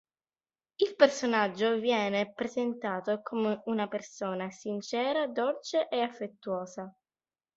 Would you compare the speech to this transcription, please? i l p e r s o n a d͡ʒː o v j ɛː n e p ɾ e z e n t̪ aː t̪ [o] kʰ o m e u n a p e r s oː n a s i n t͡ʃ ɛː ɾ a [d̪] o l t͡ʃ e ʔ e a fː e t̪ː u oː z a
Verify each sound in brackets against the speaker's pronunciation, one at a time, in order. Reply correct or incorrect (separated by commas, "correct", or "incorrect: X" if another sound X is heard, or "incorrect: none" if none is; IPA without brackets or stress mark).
correct, correct